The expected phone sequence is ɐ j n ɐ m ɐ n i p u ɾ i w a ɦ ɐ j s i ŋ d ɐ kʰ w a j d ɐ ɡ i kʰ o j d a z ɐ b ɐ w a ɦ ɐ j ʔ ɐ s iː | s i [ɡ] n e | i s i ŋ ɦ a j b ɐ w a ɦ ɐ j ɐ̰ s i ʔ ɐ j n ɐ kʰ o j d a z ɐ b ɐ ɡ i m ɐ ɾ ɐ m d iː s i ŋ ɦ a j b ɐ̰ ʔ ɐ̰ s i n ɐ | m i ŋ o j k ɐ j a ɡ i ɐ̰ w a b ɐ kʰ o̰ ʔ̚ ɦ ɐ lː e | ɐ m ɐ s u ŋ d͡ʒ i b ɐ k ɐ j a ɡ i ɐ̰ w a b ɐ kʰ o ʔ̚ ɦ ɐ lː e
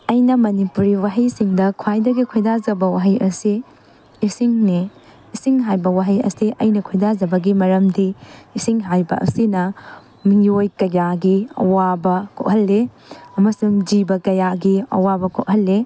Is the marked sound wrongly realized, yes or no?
yes